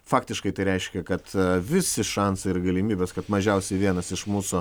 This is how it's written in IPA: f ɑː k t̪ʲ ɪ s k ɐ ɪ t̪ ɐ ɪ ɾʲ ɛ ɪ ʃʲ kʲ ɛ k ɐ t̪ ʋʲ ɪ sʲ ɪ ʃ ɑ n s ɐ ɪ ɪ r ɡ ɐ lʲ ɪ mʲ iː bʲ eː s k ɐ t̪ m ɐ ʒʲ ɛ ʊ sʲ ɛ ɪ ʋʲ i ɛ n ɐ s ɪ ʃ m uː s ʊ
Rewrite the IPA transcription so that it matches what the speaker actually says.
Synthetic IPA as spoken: f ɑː k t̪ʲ ɪ ʃ k ɐ ɪ t̪ ɐ ɪ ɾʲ ɛ ɪ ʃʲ kʲ ɛ k ɐ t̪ ʋʲ ɪ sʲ ɪ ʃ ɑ n s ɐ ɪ ɪ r ɡ ɐ lʲ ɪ mʲ iː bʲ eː s k ɐ t̪ m ɐ ʒʲ ɛ ʊ sʲ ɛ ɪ ʋʲ i ɛ n ɐ s ɪ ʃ m uː s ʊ